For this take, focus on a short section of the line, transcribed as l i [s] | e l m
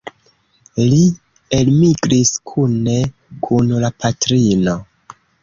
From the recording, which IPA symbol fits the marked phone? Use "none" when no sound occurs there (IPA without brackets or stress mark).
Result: none